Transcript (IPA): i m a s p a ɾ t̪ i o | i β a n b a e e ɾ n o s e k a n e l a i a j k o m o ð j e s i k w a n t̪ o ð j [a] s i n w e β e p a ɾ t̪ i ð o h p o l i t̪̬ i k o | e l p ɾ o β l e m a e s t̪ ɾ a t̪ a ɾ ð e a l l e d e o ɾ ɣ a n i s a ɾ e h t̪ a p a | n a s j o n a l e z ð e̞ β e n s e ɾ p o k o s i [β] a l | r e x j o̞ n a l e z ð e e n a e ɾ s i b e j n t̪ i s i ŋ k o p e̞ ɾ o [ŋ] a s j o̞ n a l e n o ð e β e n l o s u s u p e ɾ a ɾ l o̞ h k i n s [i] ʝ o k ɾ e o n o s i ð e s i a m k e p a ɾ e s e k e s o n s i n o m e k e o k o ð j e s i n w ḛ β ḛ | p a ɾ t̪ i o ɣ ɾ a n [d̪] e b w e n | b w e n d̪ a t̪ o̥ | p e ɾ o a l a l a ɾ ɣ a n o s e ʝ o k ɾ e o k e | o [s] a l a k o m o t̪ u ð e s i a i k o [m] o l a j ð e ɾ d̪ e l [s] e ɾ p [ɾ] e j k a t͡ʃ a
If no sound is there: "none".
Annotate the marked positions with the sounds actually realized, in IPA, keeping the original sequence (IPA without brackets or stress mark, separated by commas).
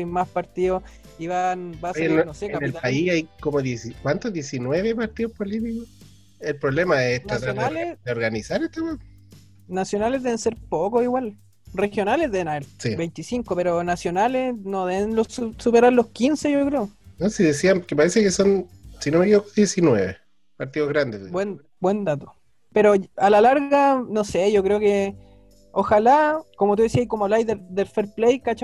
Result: e, w, n, e, d̪, x, m, f, l